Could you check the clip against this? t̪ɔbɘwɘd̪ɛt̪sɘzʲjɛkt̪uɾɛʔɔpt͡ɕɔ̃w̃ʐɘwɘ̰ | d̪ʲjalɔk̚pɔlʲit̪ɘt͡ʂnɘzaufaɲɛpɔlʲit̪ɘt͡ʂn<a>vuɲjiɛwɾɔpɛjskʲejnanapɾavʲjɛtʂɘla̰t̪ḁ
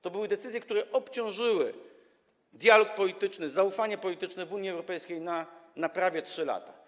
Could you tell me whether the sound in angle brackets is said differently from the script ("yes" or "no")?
yes